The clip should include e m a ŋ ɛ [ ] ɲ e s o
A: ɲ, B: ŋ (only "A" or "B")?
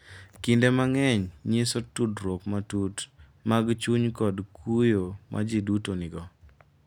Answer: A